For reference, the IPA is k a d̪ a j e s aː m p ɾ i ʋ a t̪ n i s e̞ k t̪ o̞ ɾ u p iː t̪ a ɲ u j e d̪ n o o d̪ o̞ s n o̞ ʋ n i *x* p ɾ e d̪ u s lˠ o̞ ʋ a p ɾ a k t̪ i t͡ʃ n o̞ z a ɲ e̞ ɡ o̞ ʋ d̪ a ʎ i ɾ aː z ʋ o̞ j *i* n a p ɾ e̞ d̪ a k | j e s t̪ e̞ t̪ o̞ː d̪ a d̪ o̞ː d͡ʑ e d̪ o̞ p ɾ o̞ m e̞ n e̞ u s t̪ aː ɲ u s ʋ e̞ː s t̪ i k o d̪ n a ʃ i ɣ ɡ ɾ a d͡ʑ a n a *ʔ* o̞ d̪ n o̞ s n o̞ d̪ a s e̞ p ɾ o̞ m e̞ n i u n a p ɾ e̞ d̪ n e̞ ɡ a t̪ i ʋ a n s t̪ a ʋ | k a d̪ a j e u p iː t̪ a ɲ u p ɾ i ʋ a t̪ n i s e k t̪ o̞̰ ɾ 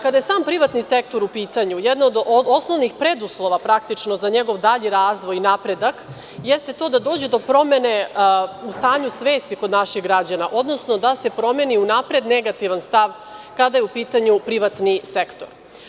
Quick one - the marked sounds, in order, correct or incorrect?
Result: correct, correct, correct

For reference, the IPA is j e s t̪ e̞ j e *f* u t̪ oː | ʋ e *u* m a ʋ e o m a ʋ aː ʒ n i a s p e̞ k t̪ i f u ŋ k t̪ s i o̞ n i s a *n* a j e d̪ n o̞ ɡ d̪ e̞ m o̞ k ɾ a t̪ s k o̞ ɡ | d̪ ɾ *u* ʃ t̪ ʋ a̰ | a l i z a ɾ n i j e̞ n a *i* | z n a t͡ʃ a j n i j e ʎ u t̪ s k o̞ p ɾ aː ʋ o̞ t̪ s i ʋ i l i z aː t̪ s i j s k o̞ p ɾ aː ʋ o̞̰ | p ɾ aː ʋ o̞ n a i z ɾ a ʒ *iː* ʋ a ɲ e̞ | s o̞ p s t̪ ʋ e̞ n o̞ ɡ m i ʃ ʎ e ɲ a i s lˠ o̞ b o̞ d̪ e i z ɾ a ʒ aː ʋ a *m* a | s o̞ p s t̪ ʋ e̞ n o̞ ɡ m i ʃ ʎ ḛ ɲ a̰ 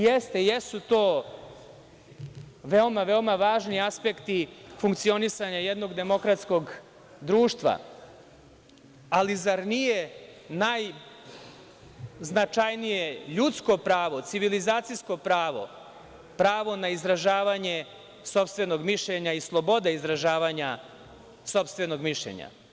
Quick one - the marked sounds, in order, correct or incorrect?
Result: incorrect: s, incorrect: o, incorrect: ɲ, incorrect: uː, incorrect: j, incorrect: aː, incorrect: ɲ

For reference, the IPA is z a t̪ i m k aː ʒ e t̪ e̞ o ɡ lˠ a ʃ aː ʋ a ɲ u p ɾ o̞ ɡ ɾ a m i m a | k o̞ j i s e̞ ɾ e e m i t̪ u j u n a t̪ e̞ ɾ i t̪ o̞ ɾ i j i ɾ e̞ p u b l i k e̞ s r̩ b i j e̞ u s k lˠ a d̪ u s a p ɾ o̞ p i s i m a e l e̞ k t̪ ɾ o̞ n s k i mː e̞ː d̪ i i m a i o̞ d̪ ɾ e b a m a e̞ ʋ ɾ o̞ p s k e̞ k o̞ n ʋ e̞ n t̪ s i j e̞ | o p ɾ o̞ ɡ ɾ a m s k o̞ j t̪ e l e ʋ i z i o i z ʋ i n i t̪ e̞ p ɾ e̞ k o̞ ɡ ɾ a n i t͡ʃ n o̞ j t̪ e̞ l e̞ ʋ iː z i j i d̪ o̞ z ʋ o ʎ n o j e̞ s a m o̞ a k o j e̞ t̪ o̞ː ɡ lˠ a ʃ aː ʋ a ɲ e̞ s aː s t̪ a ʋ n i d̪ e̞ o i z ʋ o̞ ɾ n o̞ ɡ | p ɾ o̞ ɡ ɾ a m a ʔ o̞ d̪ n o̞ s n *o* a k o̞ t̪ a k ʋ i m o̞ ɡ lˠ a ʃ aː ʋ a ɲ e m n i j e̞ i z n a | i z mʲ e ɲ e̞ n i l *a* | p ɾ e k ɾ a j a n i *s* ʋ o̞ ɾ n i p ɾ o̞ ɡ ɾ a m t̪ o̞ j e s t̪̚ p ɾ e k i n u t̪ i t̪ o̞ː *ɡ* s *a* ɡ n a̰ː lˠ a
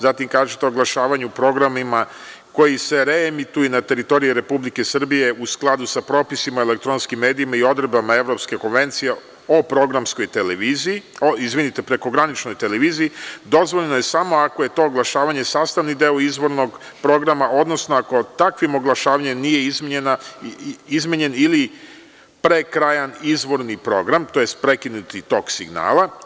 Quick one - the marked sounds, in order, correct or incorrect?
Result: correct, incorrect: i, incorrect: z, incorrect: k, incorrect: i

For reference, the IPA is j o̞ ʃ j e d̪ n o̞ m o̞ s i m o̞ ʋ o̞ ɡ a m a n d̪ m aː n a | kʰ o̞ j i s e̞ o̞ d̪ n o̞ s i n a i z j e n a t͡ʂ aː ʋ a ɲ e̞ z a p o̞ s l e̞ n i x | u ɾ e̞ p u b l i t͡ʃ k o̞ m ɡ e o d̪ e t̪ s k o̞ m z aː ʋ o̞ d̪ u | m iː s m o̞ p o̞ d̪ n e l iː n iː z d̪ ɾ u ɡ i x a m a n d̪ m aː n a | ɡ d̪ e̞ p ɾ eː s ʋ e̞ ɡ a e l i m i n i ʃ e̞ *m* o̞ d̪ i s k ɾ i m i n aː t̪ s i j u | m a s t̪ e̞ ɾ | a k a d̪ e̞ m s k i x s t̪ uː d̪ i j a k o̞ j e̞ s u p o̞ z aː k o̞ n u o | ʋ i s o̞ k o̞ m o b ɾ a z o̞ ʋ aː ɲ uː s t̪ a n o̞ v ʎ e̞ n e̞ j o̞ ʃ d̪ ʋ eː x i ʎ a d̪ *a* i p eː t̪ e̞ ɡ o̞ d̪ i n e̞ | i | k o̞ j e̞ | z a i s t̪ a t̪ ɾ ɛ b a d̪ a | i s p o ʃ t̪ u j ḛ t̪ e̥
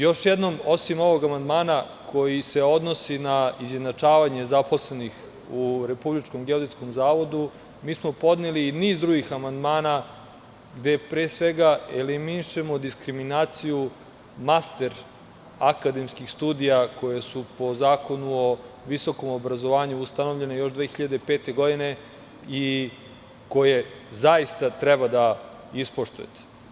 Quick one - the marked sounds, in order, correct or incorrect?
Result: correct, incorrect: e

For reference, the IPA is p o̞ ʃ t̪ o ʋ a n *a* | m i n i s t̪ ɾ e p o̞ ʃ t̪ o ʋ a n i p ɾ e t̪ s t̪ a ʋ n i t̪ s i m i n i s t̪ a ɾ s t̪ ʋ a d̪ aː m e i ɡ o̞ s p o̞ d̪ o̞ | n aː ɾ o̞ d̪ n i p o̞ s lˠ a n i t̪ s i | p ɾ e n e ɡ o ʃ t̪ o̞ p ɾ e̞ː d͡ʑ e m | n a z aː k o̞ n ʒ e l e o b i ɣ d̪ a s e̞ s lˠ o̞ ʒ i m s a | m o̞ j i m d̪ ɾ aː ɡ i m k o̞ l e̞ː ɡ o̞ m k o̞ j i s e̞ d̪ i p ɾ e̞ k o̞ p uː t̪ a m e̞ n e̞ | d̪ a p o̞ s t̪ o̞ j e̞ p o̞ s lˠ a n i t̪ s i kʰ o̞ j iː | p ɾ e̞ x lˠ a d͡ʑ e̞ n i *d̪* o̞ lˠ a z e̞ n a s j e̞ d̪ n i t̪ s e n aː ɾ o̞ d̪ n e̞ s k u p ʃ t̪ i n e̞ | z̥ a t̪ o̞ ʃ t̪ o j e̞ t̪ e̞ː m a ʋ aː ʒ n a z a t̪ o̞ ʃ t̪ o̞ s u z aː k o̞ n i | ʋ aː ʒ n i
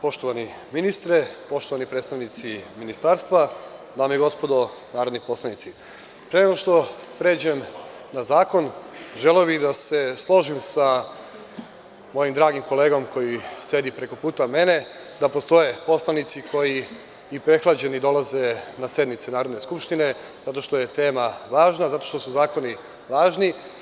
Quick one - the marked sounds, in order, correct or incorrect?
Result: incorrect: i, correct

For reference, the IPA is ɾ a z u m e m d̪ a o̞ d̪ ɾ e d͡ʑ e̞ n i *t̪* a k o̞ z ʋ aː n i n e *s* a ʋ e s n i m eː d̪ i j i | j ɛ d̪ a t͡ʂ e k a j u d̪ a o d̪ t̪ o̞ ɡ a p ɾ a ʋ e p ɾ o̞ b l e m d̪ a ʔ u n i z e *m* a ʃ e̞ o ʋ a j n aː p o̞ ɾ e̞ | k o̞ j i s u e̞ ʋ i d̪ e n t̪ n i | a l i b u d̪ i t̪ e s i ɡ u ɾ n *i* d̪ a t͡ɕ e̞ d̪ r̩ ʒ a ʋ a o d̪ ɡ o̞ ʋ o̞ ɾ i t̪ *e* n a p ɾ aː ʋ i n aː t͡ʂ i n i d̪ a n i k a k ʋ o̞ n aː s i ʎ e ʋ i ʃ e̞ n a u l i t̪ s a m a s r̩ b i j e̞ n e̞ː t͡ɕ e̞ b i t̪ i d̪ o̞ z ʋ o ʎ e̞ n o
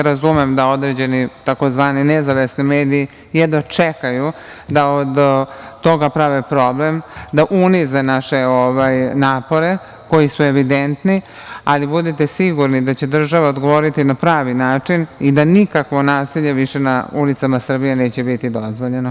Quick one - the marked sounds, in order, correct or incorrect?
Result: correct, incorrect: z, incorrect: n, correct, incorrect: i

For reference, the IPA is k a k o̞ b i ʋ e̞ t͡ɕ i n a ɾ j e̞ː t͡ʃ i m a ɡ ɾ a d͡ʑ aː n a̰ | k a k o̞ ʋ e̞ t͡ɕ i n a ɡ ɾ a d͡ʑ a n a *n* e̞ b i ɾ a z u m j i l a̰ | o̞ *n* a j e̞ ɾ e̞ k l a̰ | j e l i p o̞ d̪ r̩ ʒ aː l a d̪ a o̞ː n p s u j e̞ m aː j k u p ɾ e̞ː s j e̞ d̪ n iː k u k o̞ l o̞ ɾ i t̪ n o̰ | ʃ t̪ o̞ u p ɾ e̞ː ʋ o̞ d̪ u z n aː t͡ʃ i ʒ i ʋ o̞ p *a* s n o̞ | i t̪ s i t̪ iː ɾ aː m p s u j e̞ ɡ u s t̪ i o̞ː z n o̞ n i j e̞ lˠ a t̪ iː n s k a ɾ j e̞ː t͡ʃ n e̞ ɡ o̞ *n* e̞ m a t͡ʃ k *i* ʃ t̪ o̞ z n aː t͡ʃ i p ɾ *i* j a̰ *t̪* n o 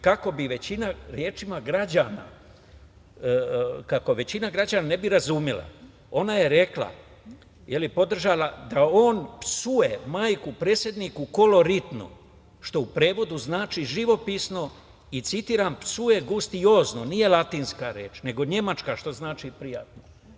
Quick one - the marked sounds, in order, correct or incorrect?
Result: correct, correct, incorrect: i, incorrect: ɲ, incorrect: a, correct, correct

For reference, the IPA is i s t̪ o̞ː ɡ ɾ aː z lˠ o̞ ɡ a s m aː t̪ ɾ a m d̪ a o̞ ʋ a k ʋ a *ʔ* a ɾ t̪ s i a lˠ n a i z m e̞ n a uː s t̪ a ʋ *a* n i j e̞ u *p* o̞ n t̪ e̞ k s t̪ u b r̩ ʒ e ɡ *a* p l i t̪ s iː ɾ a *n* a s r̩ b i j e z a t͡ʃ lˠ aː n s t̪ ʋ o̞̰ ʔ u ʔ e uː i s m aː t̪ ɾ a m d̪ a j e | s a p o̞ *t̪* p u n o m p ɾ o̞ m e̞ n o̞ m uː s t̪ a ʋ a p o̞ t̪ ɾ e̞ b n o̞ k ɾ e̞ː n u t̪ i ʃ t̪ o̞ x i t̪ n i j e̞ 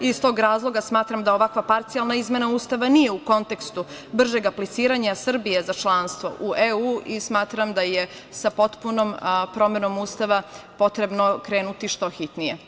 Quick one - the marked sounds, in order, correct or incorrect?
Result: incorrect: p, correct, incorrect: k, correct, incorrect: ɲ, correct

